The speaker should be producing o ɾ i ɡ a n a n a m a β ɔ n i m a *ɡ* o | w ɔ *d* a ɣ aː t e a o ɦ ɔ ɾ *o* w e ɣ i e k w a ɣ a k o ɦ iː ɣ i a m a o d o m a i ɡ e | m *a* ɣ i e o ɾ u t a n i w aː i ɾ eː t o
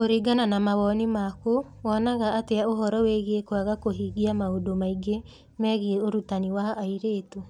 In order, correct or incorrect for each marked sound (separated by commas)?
incorrect, incorrect, incorrect, incorrect